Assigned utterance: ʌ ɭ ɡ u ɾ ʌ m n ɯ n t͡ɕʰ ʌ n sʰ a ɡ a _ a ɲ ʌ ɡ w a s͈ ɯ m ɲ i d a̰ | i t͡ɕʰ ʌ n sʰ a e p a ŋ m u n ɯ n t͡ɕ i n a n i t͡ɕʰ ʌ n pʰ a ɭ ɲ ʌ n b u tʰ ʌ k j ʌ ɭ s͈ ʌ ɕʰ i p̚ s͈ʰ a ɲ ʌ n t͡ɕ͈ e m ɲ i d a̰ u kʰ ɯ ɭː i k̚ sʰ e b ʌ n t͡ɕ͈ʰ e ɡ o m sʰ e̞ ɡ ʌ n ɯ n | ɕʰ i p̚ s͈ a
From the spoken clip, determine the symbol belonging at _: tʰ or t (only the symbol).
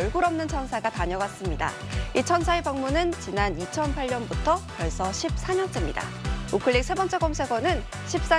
t